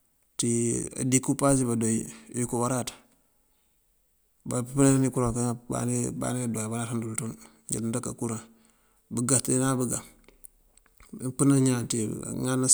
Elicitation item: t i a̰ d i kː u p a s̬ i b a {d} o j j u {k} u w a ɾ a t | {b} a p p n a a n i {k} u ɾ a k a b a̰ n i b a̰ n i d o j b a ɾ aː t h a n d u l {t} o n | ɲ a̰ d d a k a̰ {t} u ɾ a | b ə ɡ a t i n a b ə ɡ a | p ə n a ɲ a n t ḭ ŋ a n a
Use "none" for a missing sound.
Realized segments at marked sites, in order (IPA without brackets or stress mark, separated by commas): d, k, b, k, t, k